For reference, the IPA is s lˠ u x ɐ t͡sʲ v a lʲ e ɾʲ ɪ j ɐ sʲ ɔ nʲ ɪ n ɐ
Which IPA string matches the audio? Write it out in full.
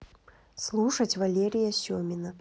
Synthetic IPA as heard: s lˠ u ʂ ɐ t͡sʲ v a lʲ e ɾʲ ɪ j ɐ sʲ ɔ mʲ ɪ n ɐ